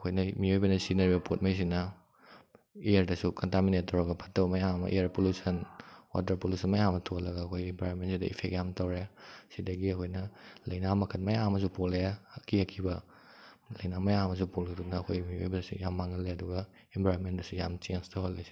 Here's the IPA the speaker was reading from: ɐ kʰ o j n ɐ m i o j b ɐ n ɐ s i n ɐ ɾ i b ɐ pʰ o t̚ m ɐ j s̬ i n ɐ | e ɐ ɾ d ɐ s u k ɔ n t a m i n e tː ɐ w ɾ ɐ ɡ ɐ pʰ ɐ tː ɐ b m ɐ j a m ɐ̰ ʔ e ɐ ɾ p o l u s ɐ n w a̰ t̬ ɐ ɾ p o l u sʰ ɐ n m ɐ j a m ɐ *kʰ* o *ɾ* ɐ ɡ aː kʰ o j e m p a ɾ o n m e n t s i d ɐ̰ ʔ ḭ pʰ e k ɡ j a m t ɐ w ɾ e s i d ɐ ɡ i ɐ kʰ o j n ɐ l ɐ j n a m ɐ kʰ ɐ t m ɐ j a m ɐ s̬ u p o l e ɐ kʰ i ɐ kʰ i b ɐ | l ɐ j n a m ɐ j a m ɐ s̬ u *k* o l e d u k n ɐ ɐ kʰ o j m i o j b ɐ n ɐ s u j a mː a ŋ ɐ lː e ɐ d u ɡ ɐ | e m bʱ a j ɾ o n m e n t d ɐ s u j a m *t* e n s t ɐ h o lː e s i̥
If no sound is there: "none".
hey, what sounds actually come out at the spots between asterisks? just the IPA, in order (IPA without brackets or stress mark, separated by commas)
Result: tʰ, l, p, t͡ʃ